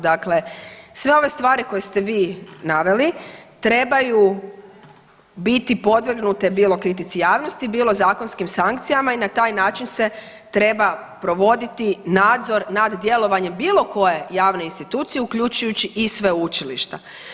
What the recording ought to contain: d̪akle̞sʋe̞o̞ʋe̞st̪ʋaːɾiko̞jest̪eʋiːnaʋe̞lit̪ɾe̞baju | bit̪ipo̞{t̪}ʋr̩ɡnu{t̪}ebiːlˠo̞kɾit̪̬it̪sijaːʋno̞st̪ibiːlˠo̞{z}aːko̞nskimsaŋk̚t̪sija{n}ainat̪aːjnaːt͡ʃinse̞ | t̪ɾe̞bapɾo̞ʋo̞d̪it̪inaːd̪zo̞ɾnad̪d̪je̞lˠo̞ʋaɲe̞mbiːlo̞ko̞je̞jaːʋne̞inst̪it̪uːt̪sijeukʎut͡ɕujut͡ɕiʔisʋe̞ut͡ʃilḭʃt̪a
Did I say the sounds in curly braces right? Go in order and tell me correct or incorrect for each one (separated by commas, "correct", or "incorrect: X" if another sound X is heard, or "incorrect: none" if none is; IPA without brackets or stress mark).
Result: incorrect: d̪, correct, correct, incorrect: m